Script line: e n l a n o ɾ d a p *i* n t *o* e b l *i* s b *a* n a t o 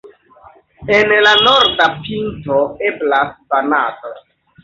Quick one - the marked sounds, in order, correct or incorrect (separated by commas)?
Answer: correct, correct, incorrect, correct